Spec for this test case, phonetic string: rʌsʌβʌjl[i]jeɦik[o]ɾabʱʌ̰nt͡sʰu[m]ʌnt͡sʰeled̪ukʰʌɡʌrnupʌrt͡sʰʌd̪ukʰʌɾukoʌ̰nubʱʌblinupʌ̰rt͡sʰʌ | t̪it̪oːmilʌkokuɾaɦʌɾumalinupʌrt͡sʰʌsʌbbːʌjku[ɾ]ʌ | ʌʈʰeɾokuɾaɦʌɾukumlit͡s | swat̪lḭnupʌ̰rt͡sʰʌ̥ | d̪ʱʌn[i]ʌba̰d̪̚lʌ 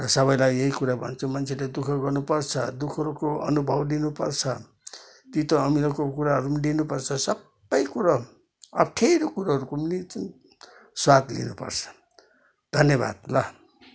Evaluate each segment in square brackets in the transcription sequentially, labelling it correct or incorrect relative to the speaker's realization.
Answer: incorrect: a, incorrect: u, correct, correct, incorrect: j

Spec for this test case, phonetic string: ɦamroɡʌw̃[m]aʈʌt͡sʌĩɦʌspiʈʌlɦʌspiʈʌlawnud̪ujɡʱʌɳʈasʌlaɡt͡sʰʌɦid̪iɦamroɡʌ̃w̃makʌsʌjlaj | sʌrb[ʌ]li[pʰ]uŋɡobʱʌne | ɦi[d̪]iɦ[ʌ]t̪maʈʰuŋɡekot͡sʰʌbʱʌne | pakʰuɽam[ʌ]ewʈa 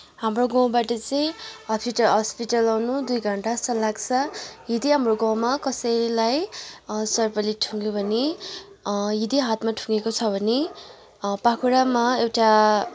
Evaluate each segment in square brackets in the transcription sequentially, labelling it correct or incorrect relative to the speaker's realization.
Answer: incorrect: b, correct, incorrect: ʈʰ, correct, incorrect: a, incorrect: a

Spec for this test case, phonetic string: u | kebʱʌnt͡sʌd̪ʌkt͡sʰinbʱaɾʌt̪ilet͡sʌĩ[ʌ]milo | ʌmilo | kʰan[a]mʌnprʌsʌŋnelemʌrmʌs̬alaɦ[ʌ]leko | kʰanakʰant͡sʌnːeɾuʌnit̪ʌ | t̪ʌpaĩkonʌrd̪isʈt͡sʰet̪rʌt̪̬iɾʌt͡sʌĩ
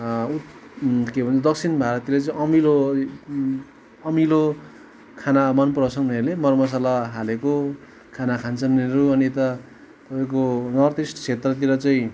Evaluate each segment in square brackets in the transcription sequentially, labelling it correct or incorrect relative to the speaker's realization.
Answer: correct, correct, incorrect: a

